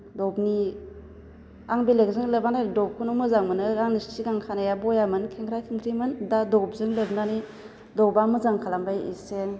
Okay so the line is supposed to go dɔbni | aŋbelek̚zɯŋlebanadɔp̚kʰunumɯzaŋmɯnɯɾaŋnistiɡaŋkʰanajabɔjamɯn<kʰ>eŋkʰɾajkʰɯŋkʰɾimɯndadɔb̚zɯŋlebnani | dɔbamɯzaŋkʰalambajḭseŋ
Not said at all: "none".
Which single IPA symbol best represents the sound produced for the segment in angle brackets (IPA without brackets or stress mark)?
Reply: kʰ